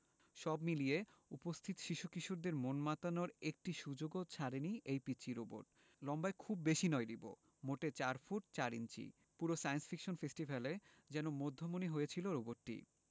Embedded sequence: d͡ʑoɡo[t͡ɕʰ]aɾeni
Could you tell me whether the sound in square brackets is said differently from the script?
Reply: no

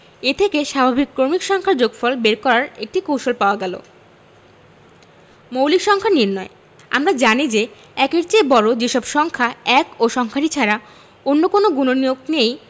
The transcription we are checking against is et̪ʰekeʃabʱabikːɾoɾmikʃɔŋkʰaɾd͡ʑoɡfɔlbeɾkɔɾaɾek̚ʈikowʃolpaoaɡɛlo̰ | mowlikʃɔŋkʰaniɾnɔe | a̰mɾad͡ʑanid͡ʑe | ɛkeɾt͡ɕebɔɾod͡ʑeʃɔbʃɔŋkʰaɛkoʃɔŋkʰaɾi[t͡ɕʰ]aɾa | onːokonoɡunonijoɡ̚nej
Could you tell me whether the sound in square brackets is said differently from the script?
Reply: no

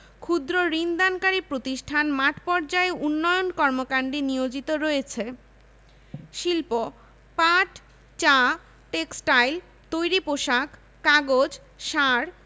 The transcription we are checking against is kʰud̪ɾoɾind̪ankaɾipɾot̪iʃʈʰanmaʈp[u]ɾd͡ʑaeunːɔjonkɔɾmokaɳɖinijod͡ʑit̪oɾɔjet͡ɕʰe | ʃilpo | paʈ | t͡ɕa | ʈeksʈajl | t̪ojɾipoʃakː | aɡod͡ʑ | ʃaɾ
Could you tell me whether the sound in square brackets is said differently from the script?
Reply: yes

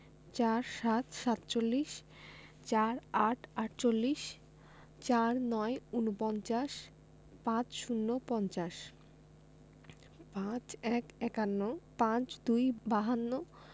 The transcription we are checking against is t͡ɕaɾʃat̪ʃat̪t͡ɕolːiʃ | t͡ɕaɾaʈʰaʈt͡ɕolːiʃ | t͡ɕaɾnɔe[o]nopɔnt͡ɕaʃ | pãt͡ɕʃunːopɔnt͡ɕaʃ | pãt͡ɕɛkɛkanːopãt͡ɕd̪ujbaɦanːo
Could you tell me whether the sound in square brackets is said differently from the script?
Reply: yes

